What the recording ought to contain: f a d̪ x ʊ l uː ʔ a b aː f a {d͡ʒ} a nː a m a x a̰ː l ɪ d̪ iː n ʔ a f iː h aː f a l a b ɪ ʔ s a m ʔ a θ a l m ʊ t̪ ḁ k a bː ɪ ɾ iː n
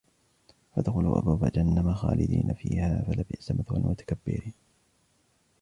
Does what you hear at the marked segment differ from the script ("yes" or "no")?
no